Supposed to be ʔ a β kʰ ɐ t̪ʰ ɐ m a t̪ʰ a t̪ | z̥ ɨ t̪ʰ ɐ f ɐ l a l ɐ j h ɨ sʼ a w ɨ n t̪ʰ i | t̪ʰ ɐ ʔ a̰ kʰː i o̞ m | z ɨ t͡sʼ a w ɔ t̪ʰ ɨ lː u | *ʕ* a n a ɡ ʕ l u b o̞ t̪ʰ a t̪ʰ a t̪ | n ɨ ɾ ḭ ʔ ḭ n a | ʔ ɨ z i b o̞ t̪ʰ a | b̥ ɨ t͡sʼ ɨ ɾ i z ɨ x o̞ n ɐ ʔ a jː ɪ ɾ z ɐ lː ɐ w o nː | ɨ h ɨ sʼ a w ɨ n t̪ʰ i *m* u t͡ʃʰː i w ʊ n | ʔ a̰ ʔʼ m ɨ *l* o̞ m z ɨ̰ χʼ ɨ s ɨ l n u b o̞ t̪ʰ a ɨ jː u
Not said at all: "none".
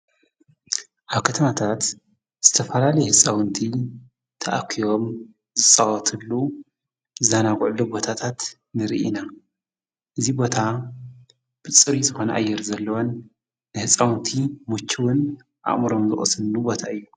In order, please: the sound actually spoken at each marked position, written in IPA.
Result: z, m, ɾ

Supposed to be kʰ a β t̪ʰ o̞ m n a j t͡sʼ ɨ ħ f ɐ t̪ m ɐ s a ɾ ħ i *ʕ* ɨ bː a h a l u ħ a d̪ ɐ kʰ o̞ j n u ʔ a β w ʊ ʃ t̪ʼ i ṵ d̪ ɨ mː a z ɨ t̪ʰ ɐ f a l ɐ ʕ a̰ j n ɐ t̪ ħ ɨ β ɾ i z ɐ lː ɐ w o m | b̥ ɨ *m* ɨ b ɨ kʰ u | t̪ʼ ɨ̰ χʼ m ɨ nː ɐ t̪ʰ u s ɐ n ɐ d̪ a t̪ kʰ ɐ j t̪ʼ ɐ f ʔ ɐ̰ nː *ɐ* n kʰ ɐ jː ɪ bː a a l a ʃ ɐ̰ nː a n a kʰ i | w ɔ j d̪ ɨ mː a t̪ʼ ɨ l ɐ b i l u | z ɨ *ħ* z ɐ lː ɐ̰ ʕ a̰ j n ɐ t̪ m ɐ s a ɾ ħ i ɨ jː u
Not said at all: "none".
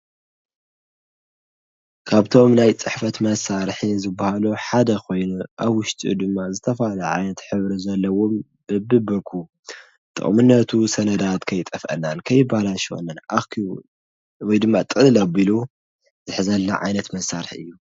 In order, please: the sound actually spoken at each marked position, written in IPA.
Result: z, b, a, ħ

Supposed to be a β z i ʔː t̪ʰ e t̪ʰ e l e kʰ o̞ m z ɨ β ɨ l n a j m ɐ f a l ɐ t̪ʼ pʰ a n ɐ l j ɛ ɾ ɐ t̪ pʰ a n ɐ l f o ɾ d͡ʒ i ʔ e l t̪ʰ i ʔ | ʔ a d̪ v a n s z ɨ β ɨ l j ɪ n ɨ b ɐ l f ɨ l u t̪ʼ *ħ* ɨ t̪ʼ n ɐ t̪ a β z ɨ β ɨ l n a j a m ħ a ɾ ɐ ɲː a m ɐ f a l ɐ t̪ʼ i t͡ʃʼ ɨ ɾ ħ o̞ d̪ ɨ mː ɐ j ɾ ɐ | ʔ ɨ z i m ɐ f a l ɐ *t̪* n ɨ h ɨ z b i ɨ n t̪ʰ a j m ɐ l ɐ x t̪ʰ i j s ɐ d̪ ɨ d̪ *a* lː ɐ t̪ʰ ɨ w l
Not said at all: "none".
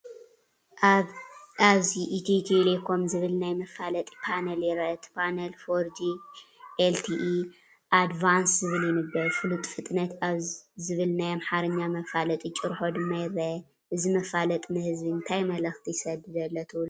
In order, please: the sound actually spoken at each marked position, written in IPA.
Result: f, t̪ʼ, ɐ

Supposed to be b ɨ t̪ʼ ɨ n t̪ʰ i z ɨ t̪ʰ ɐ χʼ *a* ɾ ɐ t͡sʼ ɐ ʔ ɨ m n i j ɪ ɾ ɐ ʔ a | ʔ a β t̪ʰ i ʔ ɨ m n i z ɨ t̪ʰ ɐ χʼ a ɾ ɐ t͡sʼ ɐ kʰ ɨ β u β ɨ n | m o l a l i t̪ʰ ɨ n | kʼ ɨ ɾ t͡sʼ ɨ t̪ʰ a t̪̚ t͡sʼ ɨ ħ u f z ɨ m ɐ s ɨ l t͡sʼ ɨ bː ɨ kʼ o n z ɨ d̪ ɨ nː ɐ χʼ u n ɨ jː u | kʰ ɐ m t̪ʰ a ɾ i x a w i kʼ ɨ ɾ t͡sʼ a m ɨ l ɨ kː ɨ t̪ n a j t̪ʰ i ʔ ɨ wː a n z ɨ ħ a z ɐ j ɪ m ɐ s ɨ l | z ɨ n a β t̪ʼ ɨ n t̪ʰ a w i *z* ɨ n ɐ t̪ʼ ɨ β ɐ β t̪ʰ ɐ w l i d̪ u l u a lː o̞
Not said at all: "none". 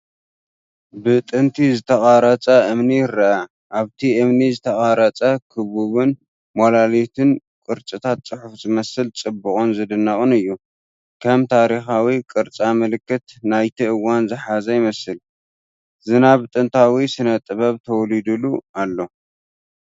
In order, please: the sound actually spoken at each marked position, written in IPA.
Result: a, s

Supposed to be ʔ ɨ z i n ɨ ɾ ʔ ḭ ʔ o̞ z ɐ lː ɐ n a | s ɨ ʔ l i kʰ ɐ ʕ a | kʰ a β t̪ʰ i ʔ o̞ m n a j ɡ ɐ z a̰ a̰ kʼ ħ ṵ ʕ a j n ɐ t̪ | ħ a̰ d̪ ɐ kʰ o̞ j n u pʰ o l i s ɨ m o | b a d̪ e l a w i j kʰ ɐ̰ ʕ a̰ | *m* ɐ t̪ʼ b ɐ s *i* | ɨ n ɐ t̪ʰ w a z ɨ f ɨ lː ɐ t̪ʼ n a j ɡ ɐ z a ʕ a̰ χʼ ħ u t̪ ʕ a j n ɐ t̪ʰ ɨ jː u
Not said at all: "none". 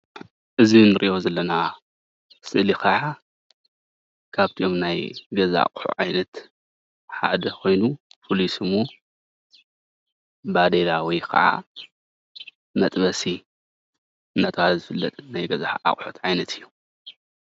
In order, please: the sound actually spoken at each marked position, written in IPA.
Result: m, i

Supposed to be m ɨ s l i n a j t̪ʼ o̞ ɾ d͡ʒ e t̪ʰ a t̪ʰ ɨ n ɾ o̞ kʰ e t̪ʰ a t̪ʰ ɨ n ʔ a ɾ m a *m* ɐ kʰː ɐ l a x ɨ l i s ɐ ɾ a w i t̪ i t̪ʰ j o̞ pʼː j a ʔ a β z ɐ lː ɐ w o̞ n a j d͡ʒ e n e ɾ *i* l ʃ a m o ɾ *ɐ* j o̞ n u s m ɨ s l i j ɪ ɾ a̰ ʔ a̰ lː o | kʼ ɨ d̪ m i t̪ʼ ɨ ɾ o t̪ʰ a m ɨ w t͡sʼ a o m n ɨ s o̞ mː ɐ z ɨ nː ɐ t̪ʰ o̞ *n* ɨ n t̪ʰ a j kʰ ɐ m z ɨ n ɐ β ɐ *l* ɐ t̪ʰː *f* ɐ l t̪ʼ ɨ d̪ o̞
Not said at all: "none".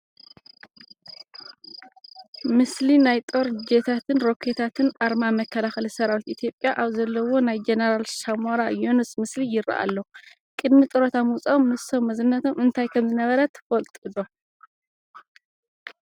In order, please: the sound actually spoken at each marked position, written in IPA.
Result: m, a, a, m, ɾ, f

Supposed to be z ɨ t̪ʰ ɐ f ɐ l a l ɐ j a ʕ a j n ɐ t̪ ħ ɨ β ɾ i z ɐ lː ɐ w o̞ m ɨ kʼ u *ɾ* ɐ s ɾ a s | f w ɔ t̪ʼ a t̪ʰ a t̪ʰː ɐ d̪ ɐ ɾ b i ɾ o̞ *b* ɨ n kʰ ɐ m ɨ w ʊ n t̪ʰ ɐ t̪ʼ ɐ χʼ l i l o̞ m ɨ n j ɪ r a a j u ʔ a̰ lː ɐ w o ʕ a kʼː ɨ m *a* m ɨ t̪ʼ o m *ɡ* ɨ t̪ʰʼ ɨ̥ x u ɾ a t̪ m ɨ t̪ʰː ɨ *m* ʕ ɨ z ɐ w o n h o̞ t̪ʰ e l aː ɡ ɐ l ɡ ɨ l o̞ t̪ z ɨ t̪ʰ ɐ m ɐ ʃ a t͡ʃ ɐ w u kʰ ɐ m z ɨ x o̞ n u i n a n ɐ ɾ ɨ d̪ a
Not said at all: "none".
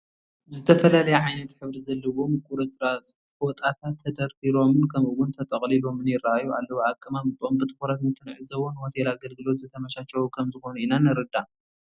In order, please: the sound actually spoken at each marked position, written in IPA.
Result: ɾ, m, a, b, n

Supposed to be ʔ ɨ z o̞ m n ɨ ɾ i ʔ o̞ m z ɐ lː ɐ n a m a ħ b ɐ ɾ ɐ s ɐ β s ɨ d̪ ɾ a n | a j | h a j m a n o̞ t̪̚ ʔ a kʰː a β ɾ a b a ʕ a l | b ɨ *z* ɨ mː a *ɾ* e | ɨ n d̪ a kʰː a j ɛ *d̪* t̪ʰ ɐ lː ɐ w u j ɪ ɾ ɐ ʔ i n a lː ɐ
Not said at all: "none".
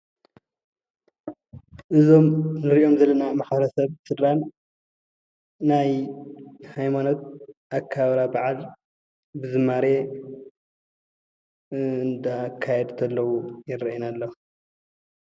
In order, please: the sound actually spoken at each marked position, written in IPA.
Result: z, ɾ, d̪

